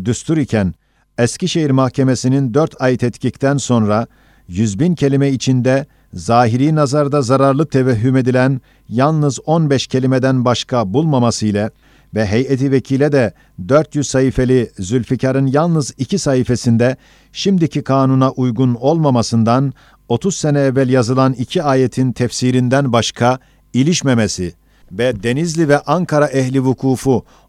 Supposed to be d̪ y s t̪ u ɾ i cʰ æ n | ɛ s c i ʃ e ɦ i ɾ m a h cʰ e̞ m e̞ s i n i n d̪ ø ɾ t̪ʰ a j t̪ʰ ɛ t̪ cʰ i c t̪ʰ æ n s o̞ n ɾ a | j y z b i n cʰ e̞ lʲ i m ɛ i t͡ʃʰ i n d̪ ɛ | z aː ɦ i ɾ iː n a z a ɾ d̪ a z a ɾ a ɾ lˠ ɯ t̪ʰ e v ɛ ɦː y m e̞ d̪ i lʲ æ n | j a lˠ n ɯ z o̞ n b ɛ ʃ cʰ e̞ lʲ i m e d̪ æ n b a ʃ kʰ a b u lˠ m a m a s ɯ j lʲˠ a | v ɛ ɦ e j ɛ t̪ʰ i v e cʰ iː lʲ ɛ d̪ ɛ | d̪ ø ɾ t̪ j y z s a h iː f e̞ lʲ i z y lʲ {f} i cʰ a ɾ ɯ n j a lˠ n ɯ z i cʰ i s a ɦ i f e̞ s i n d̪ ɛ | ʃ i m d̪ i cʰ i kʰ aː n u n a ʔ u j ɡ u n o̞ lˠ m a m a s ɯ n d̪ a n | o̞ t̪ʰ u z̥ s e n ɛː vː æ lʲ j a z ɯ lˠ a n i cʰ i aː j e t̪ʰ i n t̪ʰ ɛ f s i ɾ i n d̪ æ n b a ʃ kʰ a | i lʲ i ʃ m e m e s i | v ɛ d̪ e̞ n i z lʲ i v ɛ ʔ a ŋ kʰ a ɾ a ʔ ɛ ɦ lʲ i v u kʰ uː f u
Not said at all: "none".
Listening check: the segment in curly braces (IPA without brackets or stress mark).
f